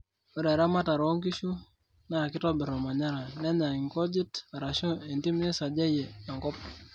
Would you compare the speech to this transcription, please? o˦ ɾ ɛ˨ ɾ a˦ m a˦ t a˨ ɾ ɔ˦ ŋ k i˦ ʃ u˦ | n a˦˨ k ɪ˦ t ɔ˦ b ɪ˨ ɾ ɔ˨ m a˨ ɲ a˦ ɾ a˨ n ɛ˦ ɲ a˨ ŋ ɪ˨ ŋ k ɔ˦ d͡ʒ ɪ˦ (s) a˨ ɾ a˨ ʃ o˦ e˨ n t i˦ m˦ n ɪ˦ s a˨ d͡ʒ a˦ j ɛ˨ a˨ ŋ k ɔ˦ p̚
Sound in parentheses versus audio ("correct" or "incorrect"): incorrect